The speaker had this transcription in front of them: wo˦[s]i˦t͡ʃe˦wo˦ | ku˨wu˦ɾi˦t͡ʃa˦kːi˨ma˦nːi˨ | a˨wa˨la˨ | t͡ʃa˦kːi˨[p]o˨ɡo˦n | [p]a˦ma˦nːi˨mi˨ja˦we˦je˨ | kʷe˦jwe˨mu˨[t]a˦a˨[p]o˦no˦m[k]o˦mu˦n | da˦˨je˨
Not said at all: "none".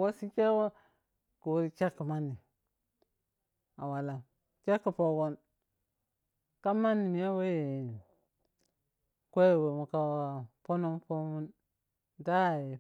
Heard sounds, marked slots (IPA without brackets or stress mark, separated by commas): s, p, k, k, p, p